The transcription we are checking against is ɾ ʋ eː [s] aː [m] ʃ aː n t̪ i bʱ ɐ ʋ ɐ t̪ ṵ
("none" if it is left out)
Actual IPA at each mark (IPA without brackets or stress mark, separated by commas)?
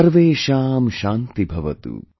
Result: ʃ, m